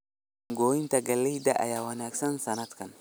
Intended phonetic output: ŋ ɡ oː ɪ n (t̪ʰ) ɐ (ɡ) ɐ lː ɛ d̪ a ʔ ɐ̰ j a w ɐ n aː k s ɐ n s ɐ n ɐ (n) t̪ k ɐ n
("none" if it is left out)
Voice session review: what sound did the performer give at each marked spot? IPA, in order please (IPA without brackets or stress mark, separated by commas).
t̪, ɡ, none